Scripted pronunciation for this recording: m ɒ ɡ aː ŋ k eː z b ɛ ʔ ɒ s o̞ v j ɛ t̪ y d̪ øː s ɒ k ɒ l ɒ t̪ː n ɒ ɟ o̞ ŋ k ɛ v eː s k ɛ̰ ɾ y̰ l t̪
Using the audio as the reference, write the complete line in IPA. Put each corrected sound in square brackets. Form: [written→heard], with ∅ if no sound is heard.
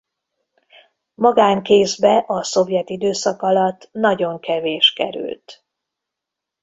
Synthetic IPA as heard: m ɒ ɡ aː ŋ k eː z b ɛ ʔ ɒ s o̞ v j ɛ t̪ [y→i] d̪ øː s ɒ k ɒ l ɒ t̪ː n ɒ ɟ o̞ ŋ k ɛ v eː [s→ʃ] k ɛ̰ ɾ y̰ l t̪